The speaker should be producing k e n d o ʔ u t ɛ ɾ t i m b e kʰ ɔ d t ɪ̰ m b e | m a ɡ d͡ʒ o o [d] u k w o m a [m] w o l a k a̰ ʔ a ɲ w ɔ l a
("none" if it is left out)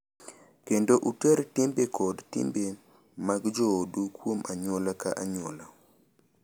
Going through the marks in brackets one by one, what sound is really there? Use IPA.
d, ɲ

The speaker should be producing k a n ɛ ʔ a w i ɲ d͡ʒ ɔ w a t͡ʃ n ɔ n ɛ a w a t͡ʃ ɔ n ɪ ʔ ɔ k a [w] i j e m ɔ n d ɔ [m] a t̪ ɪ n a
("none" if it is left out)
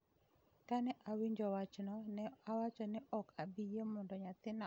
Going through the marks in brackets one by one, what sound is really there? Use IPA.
b, ɲ

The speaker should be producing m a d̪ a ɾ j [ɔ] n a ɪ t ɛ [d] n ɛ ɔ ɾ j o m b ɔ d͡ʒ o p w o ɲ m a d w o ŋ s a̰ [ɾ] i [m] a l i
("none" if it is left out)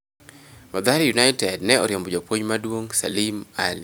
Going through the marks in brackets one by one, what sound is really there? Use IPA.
u, d, l, m

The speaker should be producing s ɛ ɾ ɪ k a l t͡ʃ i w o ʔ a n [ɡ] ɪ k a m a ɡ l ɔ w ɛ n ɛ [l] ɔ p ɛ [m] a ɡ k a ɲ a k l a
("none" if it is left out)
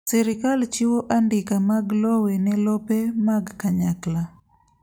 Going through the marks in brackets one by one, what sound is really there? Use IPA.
d, l, m

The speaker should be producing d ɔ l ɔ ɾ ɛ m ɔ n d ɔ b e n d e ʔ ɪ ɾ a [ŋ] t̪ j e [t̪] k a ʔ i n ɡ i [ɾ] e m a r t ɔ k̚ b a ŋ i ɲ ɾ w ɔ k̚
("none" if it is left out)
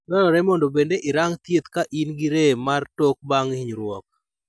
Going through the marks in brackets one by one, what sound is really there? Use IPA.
ŋ, t̪, ɾ

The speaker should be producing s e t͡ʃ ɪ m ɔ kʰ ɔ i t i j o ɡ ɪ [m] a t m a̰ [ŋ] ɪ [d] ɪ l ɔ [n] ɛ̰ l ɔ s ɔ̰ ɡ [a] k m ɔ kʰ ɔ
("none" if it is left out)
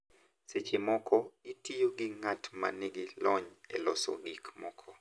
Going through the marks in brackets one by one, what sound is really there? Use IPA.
ŋ, n, ɡ, ɲ, i

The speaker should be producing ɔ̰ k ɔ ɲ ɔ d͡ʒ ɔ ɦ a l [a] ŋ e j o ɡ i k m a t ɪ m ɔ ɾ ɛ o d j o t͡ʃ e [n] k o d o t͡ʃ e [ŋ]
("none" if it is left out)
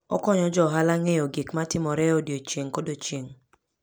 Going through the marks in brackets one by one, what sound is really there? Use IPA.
a, ŋ, ŋ

